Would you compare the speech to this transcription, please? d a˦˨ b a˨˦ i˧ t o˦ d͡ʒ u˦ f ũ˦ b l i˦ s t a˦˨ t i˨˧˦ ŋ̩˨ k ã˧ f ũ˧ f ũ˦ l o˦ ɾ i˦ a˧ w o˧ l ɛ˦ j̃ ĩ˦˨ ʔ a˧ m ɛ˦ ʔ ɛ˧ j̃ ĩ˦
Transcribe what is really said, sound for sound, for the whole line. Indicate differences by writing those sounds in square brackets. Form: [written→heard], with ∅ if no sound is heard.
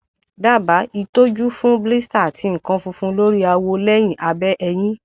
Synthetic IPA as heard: d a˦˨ b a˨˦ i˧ t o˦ d͡ʒ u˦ f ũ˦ b l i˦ s t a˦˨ t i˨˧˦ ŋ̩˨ k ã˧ f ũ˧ f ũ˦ l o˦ ɾ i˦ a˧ w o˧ l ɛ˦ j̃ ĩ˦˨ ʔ a˧ [m→b] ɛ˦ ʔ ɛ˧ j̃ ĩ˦

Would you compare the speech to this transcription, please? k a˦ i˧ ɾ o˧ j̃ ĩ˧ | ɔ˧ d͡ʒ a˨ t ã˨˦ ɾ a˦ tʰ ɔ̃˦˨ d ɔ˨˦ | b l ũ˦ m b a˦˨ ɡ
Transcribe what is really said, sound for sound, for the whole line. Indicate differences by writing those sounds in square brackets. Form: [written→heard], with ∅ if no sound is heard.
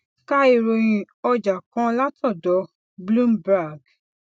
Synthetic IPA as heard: k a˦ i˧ ɾ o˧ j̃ ĩ˧ | ɔ˧ d͡ʒ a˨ [t→k] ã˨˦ [ɾ→l] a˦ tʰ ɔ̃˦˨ d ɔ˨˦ | b l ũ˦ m b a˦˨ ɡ

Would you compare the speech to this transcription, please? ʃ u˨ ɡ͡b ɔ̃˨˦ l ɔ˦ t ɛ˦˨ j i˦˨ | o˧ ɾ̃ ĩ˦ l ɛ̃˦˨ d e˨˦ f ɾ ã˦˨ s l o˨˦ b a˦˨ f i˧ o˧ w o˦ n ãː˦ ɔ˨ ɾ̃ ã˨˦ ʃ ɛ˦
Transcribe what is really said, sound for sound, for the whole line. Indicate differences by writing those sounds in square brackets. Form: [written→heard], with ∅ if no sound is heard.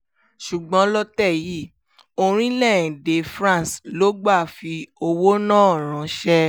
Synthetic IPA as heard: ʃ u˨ ɡ͡b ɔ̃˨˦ l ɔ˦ t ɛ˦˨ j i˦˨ | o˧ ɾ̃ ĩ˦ l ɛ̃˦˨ d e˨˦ f ɾ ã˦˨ s l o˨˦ [b→ɡ͡b] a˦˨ f i˧ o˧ w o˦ n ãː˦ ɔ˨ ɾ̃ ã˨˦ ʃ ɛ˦

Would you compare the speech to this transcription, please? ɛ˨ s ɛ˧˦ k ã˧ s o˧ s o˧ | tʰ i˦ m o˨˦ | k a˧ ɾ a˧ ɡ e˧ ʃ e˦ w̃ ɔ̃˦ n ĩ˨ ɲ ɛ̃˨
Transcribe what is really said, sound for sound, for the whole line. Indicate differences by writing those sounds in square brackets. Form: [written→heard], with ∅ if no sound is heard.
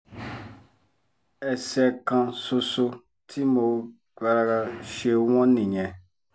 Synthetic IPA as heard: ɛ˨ s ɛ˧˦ k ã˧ s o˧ s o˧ | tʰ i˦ m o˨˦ | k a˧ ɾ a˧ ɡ [e˧→a˧] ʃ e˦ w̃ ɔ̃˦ n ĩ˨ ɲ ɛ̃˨

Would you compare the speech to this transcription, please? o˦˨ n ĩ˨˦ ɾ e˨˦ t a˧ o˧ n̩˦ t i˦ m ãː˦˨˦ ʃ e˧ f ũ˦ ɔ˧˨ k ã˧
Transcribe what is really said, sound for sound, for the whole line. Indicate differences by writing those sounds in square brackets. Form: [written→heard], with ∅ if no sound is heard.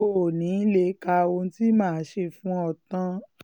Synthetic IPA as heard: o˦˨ n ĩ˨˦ [ɾ→l] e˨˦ [t→k] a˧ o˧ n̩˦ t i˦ m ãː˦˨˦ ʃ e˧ f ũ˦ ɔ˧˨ [k→t] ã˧

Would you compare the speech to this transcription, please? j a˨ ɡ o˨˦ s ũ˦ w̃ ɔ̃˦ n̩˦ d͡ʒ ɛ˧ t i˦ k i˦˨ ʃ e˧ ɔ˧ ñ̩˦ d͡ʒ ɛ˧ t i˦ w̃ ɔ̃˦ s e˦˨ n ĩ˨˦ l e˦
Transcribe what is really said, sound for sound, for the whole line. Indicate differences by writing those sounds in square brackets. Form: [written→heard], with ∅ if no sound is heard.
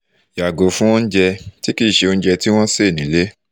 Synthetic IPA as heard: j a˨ ɡ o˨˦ [s→f] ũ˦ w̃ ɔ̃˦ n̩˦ d͡ʒ ɛ˧ t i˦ k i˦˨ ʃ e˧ [ɔ˧→o˧] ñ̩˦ d͡ʒ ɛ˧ t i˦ w̃ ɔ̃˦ s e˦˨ n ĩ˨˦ l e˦

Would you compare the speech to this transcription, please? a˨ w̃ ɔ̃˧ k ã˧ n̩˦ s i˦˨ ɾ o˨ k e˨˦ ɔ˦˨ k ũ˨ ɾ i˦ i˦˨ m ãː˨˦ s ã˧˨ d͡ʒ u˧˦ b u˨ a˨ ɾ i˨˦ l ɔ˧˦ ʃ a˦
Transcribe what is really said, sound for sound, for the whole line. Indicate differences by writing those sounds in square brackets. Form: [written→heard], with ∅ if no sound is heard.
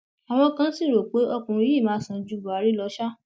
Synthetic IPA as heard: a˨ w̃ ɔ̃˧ k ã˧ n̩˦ s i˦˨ ɾ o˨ [k→k͡p] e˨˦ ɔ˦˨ k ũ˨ ɾ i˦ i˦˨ m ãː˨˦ s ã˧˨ d͡ʒ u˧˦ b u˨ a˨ ɾ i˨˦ l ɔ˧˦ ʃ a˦

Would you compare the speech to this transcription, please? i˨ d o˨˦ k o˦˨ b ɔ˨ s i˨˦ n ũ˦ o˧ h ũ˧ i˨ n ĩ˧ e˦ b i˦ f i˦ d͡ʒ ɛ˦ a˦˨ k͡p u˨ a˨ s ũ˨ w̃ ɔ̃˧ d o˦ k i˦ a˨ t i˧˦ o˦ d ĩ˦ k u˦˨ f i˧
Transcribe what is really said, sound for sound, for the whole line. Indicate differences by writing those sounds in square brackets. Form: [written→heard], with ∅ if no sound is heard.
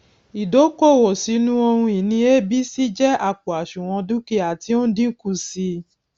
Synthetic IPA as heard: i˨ d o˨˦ k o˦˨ [b→w] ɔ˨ s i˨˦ n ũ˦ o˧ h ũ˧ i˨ n ĩ˧ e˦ b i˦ [f→s] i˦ d͡ʒ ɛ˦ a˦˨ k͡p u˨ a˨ [s→ʃ] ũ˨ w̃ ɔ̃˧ d [o˦→u˦] k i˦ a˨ t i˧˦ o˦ d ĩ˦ k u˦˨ [f→s] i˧

